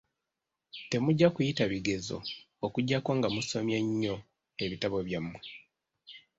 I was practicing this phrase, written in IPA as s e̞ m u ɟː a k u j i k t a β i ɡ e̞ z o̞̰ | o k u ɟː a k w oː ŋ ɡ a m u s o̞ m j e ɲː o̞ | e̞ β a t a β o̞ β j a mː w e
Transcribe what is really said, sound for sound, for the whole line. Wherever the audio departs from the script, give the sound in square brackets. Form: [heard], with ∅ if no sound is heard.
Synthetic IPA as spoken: [t] e̞ m u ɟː a k u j i [∅] t a β i ɡ e̞ z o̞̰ | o k u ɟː a k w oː ŋ ɡ a m u s o̞ m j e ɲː o̞ | e̞ β [i] t a β o̞ β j a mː w e